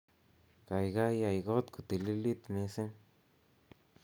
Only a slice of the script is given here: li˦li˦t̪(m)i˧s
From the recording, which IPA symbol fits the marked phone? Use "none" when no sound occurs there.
m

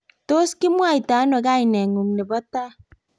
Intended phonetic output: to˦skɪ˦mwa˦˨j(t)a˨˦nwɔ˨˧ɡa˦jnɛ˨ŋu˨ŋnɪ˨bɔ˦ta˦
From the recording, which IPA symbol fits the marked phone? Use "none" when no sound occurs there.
t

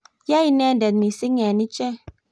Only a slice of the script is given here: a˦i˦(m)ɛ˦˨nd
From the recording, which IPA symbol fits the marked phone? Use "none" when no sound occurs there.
n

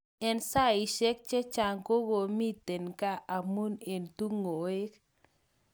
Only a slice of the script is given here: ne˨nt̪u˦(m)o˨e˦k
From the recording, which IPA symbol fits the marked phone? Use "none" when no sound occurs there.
ŋ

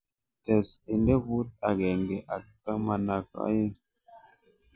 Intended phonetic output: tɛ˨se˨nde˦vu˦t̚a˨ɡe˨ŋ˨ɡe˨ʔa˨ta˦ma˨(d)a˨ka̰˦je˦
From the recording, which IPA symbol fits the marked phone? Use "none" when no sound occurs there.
n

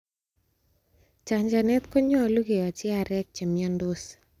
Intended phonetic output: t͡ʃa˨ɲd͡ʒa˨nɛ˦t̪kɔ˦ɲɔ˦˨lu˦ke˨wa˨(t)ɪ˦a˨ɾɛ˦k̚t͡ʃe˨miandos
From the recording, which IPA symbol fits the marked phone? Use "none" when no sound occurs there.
t͡ʃ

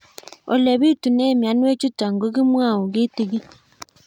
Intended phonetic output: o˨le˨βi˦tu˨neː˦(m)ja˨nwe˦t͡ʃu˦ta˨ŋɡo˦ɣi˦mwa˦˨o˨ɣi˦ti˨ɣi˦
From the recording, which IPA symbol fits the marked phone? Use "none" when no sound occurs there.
m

